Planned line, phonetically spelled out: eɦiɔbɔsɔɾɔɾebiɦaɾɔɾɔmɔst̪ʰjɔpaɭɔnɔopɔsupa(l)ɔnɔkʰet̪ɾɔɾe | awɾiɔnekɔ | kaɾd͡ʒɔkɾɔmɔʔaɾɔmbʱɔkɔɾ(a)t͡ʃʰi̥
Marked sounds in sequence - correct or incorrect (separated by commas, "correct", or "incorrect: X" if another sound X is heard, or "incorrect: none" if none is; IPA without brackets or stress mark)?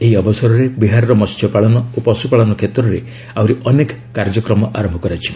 incorrect: ɭ, correct